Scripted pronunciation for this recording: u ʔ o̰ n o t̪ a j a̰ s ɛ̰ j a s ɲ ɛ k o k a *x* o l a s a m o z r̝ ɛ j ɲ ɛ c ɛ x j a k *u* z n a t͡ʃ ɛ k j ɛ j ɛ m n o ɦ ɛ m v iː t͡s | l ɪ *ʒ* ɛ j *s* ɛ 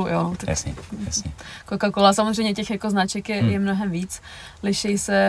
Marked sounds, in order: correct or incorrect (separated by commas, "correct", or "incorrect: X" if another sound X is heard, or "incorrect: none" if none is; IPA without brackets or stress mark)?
incorrect: k, incorrect: o, incorrect: ʃ, correct